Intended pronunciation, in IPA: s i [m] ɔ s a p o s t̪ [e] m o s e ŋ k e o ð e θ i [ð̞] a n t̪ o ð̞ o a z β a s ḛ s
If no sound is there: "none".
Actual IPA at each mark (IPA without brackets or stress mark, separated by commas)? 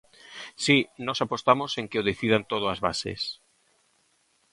n, a, ð̞